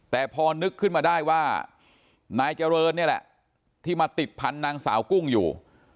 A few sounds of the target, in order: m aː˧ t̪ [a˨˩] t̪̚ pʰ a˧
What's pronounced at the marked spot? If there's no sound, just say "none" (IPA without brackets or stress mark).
i˨˩